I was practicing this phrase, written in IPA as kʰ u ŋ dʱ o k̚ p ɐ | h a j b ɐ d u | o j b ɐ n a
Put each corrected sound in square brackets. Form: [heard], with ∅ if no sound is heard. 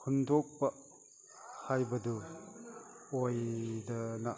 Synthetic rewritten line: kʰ u [n] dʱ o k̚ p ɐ | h a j b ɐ d u | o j [d] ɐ n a